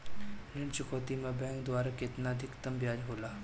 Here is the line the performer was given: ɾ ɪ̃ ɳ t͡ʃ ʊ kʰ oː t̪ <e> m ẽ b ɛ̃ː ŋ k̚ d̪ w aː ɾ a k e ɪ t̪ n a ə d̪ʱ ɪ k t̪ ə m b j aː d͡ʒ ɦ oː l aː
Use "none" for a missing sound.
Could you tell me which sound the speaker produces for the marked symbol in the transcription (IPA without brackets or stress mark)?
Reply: i